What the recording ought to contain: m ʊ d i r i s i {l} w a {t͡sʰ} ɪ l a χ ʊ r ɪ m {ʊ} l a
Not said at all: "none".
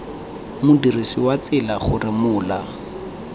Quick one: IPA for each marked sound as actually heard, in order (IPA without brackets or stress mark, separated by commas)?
none, t͡s, ʊː